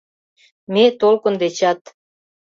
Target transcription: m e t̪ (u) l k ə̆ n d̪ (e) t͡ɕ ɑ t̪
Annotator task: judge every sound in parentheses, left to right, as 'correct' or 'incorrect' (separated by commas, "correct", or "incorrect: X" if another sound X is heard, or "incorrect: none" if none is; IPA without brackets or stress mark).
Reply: incorrect: o, correct